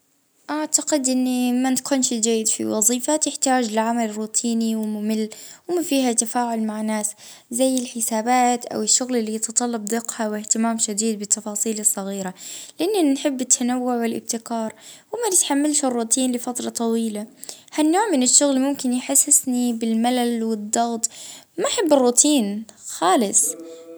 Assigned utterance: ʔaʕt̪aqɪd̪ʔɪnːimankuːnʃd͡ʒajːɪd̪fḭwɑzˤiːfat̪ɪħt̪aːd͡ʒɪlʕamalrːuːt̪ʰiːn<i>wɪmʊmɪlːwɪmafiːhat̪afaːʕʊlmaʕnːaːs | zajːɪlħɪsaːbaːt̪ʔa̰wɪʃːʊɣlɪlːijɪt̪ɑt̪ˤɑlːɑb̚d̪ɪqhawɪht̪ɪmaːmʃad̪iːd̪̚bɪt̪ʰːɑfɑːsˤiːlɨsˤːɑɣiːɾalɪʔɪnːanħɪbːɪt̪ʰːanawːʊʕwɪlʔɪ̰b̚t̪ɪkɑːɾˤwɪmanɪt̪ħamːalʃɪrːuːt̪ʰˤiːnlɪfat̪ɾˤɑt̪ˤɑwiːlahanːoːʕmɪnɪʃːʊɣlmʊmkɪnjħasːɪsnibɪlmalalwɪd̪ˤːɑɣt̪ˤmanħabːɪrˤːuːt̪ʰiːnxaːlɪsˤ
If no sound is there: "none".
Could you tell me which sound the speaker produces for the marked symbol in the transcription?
i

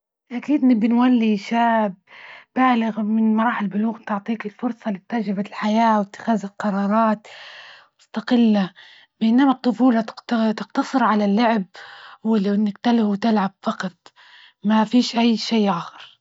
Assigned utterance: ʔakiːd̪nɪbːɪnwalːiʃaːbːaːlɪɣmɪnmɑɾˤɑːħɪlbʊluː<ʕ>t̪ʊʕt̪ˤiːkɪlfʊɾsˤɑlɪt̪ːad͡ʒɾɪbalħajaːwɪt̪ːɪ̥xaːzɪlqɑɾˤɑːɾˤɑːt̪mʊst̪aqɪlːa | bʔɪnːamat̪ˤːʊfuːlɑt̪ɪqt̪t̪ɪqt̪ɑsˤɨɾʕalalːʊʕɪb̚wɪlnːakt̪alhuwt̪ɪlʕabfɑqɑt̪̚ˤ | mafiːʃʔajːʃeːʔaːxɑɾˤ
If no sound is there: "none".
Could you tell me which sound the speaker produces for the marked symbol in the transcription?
ɣ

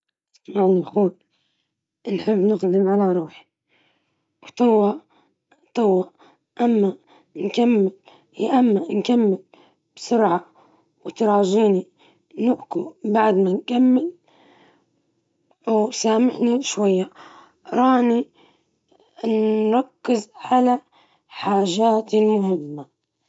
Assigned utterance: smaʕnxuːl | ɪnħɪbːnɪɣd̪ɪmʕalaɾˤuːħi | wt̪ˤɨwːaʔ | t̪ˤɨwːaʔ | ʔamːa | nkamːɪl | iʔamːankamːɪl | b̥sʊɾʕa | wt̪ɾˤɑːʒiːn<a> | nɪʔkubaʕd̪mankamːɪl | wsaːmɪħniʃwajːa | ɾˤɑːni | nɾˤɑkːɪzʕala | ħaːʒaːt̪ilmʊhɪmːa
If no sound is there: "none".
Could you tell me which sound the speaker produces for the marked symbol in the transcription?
i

